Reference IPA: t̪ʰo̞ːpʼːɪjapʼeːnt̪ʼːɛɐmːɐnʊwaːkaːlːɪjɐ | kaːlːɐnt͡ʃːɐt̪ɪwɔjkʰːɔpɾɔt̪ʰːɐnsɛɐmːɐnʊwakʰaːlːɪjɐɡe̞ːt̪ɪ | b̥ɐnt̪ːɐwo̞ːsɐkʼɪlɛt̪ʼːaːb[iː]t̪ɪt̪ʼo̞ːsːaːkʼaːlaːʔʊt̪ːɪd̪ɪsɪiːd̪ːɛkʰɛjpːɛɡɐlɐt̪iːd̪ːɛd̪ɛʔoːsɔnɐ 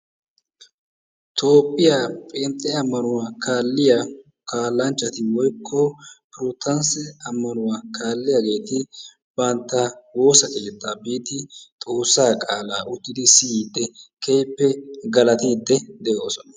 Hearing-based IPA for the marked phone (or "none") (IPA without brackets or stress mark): iː